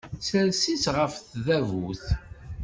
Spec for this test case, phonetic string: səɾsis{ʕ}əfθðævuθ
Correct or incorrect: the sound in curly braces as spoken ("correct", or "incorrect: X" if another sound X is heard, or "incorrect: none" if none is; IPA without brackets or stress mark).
incorrect: ʁ